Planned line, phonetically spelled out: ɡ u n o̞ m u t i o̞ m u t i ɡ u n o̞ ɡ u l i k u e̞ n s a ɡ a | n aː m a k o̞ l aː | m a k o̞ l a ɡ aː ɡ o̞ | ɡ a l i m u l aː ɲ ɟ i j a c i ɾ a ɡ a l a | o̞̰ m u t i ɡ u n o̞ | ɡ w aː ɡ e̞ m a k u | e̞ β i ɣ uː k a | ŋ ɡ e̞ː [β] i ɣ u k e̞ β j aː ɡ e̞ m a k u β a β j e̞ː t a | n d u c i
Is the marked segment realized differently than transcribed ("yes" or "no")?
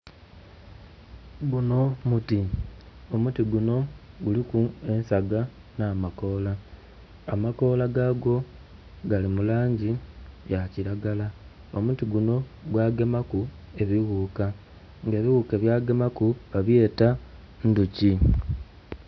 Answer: no